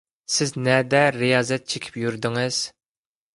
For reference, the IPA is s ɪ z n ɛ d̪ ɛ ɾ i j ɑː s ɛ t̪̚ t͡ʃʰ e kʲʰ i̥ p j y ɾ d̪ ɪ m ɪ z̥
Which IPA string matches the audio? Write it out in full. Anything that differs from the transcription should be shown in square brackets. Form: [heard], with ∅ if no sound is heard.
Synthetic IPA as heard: s ɪ z n ɛ d̪ ɛ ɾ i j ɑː [z] ɛ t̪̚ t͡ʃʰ e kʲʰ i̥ p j y ɾ d̪ ɪ [ŋ] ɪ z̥